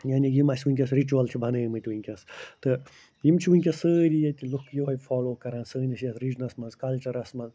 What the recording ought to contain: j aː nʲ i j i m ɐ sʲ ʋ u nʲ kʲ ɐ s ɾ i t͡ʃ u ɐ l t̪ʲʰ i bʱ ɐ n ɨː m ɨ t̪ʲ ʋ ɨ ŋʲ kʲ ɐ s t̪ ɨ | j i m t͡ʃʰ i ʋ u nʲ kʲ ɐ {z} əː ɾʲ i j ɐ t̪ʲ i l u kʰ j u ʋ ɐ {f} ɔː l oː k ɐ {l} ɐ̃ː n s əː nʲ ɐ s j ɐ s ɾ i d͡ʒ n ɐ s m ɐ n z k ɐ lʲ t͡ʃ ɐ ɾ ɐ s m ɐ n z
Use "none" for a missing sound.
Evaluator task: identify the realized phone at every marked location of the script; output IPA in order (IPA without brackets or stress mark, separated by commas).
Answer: s, f, ɾ